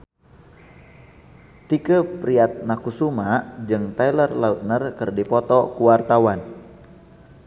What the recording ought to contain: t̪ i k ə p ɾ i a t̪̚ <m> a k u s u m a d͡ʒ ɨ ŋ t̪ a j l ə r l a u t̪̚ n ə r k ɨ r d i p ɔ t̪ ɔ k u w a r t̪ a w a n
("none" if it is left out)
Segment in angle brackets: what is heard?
n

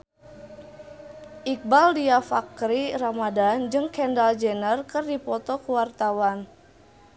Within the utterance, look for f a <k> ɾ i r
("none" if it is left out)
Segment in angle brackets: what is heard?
k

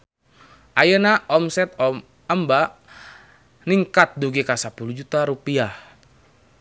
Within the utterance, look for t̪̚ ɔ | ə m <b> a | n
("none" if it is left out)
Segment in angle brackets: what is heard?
b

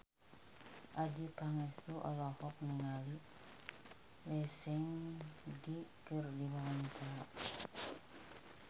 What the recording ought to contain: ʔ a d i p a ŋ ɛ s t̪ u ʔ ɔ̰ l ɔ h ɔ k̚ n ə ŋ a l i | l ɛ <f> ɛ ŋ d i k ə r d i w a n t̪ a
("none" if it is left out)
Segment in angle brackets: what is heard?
s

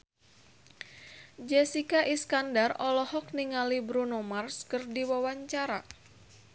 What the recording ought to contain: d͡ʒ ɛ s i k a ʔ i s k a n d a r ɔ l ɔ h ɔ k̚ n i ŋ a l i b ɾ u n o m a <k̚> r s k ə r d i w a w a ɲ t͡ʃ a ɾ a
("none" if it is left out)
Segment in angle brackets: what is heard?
none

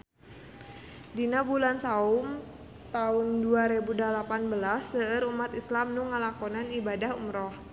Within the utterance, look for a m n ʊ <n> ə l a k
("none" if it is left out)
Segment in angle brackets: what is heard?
ŋ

